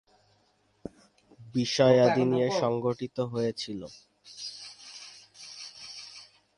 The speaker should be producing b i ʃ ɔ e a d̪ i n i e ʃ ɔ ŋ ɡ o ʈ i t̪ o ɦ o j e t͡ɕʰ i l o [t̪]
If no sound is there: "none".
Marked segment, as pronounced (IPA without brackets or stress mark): none